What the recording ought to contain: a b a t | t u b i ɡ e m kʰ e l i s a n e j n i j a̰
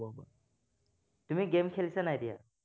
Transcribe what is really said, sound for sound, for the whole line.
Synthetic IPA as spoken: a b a | t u m i ɡ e m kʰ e l i s a n a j d i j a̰